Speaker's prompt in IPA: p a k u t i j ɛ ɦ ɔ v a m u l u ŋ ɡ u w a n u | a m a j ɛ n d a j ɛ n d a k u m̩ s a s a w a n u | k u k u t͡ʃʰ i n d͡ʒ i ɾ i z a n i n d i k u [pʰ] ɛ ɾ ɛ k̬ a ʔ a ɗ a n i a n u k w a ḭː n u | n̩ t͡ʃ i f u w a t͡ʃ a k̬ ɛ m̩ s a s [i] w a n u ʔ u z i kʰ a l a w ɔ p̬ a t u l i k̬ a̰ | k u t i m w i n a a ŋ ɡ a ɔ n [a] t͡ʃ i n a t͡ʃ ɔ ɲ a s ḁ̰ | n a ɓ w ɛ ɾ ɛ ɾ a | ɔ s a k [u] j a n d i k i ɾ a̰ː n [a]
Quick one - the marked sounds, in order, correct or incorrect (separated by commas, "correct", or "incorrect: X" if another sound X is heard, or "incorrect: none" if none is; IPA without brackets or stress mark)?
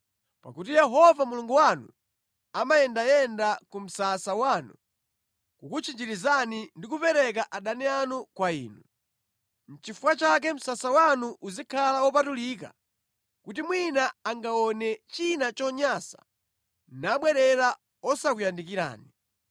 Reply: incorrect: p, incorrect: a, incorrect: ɛ, correct, incorrect: i